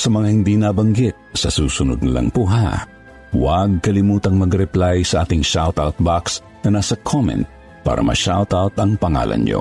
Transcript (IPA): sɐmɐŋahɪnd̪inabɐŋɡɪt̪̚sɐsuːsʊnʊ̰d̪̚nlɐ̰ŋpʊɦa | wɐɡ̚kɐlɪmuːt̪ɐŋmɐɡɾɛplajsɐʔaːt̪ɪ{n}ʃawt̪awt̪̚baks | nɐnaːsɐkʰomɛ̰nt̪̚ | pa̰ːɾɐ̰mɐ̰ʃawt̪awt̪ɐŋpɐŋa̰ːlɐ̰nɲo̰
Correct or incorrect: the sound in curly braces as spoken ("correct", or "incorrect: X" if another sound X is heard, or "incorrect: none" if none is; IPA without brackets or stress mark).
incorrect: ŋ